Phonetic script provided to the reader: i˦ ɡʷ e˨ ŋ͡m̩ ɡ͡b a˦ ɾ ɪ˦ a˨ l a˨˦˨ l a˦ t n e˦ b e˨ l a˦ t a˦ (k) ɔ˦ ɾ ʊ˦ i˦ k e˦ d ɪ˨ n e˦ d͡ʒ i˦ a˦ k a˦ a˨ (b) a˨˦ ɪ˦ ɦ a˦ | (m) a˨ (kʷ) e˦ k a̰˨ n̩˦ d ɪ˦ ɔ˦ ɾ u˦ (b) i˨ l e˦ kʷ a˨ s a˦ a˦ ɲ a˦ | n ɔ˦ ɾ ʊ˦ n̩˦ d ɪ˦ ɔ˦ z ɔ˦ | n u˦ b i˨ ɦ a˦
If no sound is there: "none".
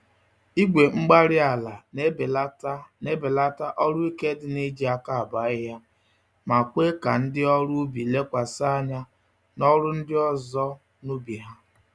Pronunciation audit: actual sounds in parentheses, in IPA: ʔ, b, m, kʷ, b

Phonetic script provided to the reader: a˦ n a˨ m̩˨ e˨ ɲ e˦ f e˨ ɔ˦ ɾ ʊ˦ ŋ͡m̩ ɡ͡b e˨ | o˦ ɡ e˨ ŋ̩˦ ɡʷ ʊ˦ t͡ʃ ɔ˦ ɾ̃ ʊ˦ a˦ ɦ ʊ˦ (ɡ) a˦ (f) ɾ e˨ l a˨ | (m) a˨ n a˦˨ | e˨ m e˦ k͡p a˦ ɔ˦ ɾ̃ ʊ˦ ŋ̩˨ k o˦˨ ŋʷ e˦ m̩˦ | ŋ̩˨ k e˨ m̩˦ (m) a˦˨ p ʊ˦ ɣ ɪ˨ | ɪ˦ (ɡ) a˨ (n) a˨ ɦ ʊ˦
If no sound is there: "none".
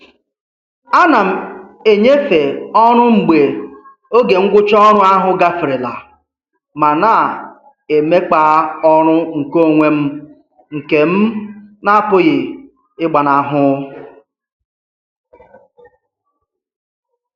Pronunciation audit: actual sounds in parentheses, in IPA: ɡ, f, m, n, ɡ͡b, n

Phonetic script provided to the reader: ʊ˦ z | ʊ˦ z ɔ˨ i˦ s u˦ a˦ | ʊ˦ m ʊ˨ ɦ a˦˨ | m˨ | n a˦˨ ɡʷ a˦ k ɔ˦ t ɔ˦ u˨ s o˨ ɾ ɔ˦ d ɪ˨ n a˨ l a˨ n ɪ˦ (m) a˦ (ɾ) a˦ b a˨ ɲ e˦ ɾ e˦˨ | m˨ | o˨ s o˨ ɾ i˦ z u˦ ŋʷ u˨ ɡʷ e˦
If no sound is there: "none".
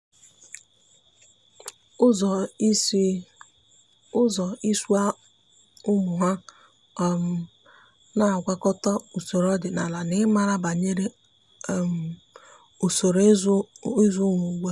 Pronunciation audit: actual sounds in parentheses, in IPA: m, ɾ

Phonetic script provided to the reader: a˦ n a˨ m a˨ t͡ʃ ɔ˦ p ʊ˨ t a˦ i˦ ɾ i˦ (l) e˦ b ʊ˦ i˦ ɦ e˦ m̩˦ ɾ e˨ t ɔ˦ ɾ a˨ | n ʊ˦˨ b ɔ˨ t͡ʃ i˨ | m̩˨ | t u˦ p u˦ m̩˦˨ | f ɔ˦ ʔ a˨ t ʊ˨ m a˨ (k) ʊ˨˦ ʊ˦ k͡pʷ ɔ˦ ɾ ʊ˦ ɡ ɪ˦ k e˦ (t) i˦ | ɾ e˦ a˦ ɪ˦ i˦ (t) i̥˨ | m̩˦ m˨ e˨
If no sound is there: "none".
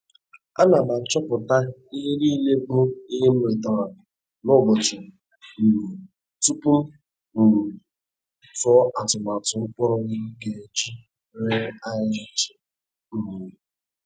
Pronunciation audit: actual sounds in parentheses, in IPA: l, t, t͡ʃ, t͡ʃ

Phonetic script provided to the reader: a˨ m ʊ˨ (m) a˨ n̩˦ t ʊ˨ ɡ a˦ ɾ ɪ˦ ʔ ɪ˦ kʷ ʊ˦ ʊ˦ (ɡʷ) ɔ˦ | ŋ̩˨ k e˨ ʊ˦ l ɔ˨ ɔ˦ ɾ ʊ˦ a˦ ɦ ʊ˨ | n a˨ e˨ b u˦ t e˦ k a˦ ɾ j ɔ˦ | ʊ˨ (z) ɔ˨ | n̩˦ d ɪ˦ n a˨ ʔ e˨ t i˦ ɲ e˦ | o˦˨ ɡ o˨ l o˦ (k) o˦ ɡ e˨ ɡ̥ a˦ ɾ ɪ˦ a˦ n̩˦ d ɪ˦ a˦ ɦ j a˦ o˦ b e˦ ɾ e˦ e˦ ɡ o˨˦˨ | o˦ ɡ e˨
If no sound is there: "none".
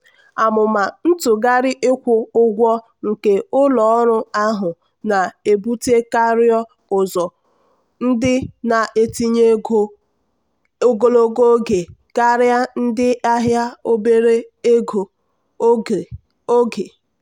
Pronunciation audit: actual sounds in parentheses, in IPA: m, ɡʷ, z, ɡ

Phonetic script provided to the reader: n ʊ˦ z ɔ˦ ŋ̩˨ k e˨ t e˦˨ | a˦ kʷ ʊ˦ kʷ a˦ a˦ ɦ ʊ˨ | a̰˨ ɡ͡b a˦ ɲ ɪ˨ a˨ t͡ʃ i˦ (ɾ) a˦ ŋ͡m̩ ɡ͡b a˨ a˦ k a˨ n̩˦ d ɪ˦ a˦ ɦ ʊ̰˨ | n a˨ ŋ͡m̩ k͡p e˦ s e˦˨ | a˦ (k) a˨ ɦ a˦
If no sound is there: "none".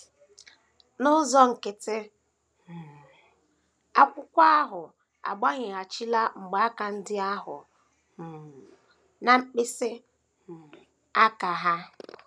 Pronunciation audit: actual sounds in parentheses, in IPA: l, k

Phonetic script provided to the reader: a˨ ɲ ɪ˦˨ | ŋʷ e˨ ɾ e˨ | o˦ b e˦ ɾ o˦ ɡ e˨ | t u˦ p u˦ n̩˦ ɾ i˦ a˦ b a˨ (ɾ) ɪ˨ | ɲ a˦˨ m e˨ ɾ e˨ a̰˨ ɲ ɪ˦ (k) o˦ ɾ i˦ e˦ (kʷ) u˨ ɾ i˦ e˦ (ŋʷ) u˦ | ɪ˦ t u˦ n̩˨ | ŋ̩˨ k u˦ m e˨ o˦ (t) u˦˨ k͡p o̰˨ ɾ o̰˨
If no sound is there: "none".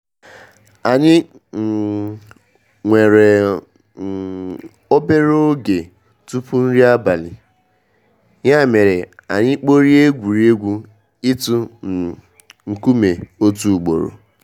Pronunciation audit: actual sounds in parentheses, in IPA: l, k͡p, ɡʷ, ɡʷ, t

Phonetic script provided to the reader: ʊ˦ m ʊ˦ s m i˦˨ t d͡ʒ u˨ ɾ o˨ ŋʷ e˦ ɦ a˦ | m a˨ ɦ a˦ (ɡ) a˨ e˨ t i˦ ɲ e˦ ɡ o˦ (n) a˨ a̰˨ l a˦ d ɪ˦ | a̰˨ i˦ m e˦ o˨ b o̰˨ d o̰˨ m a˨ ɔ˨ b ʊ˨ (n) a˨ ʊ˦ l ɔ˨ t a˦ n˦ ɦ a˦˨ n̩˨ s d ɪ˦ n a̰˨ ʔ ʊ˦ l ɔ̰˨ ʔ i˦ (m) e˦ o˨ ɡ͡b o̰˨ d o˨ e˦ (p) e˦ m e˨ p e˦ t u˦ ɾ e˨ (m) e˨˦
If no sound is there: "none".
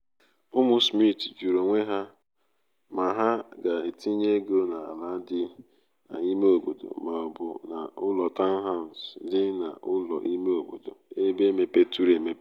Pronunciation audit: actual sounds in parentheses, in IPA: ɡ, n, n, m, b, m

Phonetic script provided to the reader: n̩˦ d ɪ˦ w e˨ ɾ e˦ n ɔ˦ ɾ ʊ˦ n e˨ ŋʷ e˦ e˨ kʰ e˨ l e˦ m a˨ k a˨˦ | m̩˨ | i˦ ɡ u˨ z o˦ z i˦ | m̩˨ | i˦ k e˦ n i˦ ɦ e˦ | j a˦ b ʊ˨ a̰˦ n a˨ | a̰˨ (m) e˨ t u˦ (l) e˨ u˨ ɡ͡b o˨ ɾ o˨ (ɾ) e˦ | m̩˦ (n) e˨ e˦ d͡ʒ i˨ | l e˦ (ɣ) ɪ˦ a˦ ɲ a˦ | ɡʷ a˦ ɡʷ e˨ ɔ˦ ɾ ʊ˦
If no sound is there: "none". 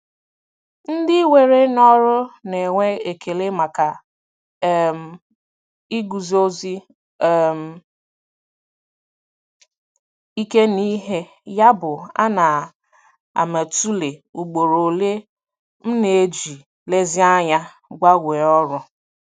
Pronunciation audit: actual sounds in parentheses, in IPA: m, l, l, n, z

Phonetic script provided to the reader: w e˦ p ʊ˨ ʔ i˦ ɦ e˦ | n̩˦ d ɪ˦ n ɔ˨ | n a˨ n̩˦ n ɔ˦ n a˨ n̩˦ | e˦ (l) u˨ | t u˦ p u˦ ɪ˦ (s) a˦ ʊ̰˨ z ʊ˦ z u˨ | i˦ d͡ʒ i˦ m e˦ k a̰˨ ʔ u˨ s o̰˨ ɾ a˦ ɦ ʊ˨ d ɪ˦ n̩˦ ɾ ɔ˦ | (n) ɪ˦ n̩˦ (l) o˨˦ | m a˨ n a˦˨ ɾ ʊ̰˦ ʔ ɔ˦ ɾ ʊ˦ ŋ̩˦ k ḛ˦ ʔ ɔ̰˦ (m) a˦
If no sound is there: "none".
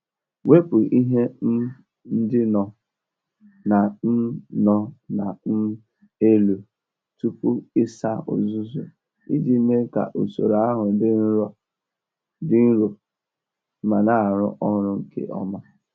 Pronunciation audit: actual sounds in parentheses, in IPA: l, s, d, ɾ, m

